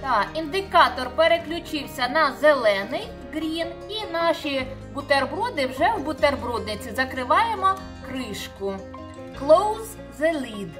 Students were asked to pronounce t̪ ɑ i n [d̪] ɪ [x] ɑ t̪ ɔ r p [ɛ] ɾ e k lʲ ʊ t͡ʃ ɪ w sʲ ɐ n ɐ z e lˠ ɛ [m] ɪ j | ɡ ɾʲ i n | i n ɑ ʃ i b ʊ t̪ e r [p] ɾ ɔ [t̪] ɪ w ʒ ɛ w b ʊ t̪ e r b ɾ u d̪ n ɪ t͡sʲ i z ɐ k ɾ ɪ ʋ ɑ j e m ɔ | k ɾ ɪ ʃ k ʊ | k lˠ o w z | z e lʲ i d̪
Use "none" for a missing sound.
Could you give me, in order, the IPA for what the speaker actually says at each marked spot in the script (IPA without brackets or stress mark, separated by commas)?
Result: d̪, k, e, n, b, d̪